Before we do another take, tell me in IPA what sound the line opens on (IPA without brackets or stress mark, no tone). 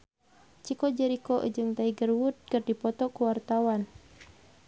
t͡ʃ